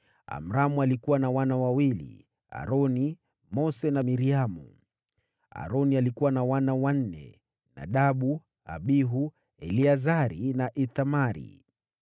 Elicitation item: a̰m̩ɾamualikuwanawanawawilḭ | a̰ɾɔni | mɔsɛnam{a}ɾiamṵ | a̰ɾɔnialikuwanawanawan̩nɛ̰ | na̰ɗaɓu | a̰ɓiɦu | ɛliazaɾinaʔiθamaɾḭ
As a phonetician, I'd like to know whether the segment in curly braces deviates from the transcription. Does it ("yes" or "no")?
yes